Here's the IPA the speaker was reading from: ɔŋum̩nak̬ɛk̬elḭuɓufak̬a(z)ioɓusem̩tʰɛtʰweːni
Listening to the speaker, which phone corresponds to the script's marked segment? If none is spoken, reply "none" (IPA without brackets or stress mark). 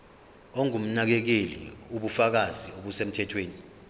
z